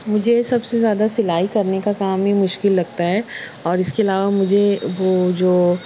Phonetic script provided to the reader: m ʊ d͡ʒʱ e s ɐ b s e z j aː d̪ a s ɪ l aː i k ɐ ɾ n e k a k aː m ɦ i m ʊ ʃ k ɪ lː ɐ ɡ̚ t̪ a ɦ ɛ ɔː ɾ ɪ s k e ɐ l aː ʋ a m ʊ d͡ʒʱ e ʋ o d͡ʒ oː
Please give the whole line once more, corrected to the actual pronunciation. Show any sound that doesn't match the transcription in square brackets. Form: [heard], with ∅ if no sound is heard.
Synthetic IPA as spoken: m ʊ d͡ʒʱ e s ɐ b s e z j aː d̪ a s ɪ l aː i k ɐ ɾ n e k a k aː m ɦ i m ʊ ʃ k ɪ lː ɐ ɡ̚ t̪ a ɦ ɛ ɔː ɾ ɪ s k e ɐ l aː ʋ a m ʊ d͡ʒʱ e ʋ o d͡ʒ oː